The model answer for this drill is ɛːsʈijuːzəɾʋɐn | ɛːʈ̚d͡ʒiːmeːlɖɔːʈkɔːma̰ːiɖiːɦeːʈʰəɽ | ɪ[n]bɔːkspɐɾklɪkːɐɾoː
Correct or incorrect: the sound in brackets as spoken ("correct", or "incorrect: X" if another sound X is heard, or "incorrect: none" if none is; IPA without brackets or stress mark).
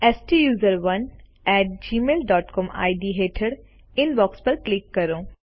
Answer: correct